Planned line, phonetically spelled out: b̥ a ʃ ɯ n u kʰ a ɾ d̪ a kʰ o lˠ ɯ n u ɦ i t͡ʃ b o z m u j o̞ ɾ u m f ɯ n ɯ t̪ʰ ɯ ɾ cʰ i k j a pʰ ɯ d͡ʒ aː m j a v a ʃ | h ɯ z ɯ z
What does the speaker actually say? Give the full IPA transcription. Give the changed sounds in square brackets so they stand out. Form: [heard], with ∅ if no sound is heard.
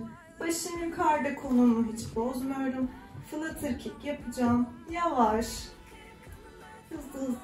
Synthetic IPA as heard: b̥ a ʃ ɯ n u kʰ a ɾ d̪ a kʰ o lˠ [u] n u ɦ i t͡ʃ b o z m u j o̞ ɾ u m f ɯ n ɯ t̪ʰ ɯ ɾ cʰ i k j a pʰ ɯ d͡ʒ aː m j a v a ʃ | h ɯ z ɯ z